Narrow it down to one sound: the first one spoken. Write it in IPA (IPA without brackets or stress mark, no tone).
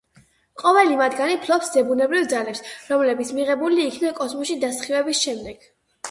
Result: qʼ